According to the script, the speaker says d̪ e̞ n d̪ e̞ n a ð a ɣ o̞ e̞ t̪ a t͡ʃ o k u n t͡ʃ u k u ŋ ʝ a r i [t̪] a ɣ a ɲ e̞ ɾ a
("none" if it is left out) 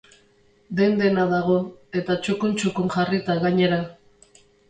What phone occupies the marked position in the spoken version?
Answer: t̪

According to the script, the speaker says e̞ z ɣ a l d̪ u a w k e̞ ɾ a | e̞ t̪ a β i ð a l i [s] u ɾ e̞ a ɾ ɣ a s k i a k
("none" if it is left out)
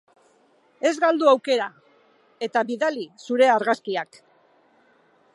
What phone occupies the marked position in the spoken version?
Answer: s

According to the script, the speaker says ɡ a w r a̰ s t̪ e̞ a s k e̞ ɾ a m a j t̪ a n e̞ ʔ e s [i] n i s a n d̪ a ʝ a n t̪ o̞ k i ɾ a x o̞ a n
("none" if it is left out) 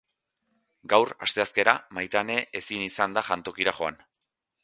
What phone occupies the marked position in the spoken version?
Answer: i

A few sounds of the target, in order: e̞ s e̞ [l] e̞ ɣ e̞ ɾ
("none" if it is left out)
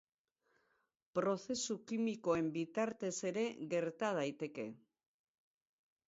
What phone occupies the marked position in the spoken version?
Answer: ɾ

